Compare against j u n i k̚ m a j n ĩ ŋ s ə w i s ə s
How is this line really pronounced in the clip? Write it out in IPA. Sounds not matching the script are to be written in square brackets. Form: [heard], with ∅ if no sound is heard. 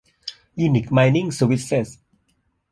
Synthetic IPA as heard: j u n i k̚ m a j n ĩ ŋ s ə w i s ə s